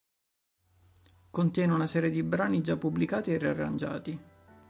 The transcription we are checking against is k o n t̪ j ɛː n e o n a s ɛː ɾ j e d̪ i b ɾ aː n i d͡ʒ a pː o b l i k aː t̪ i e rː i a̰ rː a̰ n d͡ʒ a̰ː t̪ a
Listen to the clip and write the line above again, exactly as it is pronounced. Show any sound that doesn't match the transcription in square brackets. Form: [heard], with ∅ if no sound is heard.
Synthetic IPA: k o n t̪ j ɛː n e [u] n a s ɛː ɾ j e d̪ i b ɾ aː n i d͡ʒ a pː [u] b l i k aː t̪ i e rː i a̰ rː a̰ n d͡ʒ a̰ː t̪ [i]